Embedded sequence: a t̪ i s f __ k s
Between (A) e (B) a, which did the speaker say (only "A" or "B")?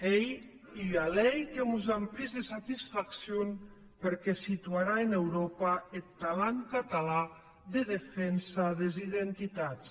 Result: B